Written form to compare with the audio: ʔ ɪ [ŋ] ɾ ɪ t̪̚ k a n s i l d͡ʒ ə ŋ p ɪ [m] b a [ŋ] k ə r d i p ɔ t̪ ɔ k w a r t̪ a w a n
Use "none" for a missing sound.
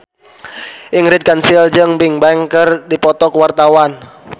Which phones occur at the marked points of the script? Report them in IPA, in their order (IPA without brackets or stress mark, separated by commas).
ŋ, ŋ, ŋ